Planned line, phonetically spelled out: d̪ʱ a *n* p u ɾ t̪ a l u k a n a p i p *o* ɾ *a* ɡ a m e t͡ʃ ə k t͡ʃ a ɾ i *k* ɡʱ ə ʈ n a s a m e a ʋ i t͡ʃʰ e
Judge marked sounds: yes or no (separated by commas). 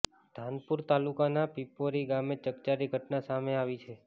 yes, yes, no, no